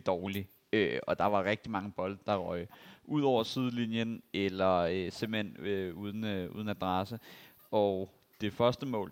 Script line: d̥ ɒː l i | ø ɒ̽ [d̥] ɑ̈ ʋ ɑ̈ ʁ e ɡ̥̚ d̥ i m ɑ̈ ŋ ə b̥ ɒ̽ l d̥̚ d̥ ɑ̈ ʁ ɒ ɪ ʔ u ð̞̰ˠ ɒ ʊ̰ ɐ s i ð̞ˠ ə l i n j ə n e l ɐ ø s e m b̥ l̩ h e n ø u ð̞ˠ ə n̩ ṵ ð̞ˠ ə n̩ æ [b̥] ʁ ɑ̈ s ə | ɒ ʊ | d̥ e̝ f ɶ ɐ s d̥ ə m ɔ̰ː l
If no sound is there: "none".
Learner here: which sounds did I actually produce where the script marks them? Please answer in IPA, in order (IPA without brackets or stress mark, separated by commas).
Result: d̥, d̥